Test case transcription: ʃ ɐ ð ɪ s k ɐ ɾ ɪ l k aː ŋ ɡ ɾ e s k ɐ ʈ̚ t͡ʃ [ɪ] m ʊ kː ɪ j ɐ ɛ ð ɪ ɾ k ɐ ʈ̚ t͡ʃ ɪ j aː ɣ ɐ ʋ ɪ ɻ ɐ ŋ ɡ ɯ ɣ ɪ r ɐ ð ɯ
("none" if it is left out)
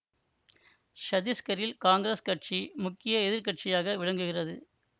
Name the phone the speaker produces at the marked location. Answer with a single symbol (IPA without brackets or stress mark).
i